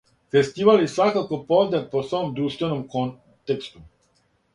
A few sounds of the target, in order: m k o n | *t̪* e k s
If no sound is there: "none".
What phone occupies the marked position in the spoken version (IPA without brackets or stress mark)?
t̪